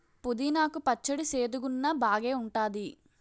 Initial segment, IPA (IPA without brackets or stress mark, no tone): p